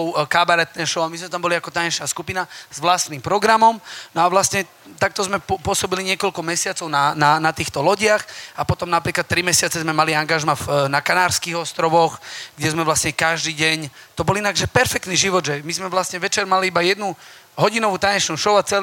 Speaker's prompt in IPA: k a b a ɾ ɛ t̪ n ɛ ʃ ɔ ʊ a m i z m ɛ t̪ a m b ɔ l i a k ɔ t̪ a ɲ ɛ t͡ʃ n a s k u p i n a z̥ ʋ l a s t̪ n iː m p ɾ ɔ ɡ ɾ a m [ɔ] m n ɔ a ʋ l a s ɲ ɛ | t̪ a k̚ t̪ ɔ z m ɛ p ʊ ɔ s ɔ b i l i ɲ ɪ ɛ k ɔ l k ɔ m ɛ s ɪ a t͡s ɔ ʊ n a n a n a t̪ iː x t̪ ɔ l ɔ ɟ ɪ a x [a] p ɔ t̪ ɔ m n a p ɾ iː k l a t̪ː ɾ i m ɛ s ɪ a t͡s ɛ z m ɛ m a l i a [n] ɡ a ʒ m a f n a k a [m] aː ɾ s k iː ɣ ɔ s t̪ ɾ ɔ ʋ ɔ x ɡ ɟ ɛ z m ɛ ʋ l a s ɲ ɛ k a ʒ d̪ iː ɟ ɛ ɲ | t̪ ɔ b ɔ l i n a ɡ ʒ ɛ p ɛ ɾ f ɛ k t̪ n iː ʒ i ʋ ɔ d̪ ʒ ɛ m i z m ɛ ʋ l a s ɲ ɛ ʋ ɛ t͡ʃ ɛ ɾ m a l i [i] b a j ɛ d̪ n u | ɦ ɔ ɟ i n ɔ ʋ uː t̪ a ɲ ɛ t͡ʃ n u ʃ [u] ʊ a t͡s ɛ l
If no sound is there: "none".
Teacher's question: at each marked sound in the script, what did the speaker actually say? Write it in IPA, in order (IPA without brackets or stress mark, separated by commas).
ɔ, a, ŋ, n, i, ɔ